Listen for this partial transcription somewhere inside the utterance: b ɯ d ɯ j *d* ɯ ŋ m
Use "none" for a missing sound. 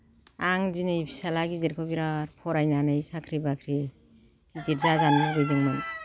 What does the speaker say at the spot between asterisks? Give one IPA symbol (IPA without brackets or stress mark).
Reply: d